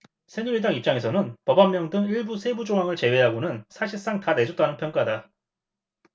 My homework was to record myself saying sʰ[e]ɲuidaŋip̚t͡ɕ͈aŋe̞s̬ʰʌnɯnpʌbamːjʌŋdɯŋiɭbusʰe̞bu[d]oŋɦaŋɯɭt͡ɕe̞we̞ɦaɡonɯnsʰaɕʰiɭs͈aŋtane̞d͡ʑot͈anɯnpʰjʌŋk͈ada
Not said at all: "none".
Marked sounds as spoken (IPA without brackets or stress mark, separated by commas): e, d͡ʑ